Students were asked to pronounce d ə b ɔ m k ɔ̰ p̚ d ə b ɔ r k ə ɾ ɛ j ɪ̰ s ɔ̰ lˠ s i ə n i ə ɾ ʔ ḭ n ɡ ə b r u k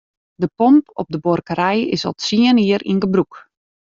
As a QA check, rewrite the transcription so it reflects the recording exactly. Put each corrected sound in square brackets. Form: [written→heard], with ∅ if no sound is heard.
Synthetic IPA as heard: d ə [b→p] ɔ m [k→p] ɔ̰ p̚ d ə b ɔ r k ə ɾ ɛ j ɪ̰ s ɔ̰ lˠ s i ə n i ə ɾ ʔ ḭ n ɡ ə b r u k

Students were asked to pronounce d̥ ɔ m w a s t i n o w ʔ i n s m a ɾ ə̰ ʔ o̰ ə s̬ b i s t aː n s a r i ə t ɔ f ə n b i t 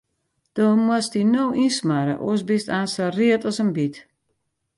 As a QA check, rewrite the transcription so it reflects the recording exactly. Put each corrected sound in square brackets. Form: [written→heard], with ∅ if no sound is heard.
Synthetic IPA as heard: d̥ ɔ m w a s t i n o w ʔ i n s m a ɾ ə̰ ʔ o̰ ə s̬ b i s t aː n s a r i ə t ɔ [f→s] ə n b i t

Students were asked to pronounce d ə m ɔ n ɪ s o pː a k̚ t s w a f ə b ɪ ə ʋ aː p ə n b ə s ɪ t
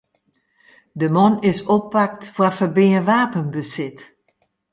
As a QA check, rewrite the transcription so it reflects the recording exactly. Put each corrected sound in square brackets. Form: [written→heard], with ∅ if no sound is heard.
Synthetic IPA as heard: d ə m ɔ n ɪ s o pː a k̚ t [s→f] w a f ə b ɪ ə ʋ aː p ə n b ə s ɪ t

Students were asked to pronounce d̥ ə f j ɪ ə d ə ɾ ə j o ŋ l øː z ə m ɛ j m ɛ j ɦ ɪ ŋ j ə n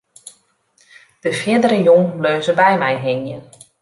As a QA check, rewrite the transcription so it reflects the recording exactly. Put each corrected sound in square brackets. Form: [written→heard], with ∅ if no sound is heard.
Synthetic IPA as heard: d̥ ə f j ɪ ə d ə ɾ ə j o ŋ l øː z ə [m→b] ɛ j m ɛ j ɦ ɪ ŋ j ə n

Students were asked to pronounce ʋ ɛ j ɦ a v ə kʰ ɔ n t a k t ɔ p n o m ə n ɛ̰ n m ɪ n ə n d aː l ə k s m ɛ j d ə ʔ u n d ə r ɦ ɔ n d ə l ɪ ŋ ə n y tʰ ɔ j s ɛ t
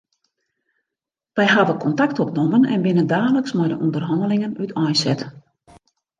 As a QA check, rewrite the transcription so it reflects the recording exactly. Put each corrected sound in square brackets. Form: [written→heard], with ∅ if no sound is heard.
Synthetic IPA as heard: ʋ ɛ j ɦ a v ə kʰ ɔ n t a k t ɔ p n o m ə n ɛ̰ n [m→b] ɪ n ə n d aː l ə k s m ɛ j d ə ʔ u n d ə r ɦ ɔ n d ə l ɪ ŋ ə n y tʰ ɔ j s ɛ t

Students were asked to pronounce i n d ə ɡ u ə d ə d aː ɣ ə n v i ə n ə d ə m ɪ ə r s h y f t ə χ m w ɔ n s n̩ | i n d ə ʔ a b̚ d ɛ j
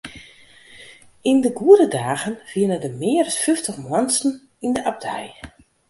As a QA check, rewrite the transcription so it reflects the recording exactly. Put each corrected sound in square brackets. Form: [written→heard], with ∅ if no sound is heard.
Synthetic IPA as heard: i n d ə ɡ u ə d ə d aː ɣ ə n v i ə n ə d ə m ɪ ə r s [h→f] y f t ə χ m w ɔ n s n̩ | i n d ə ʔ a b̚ d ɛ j

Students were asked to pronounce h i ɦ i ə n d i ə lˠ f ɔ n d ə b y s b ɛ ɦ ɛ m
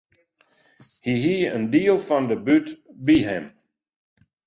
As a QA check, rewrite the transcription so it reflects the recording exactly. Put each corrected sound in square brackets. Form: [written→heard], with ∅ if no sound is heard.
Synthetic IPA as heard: h i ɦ i ə n d i ə lˠ f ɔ n d ə b y [s→t] b [ɛ→i] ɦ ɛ m

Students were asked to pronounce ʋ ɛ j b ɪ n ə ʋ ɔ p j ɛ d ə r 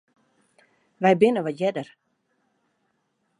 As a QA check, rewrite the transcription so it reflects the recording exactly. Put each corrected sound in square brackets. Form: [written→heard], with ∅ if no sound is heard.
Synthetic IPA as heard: ʋ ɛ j b ɪ n ə ʋ ɔ [p→t] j ɛ d ə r

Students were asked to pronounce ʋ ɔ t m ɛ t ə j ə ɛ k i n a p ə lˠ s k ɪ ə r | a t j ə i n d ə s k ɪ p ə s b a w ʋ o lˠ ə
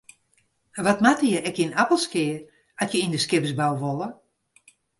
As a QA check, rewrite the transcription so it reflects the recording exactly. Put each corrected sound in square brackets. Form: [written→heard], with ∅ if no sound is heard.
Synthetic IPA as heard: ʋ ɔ t m [ɛ→a] t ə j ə ɛ k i n a p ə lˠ s k ɪ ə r | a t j ə i n d ə s k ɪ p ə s b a w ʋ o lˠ ə

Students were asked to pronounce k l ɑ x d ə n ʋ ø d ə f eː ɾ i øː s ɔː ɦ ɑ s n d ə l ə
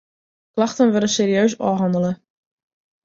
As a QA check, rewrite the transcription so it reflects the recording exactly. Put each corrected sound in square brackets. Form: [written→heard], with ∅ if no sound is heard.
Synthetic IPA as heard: k l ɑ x [d→t] ə n ʋ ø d ə [f→s] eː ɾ i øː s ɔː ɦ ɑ [s→∅] n d ə l ə

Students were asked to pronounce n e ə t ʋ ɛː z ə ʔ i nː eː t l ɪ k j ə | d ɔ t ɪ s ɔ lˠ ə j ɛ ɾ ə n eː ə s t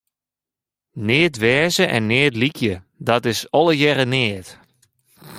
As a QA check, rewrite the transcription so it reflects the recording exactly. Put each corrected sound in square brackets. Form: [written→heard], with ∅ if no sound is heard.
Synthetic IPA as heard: n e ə t ʋ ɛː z ə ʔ [i→ɛ] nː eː t l [ɪ→i] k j ə | d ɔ t ɪ s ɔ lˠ ə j ɛ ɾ ə n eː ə [s→∅] t

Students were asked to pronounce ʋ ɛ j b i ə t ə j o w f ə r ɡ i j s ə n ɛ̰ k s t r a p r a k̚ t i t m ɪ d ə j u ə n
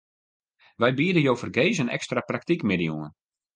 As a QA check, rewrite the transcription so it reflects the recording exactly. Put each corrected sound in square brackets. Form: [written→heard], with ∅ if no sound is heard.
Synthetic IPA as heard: ʋ ɛ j b i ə [t→d] ə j o w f ə r ɡ [i→e] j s ə n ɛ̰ k s t r a p r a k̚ t i [t→k] m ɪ d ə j u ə n

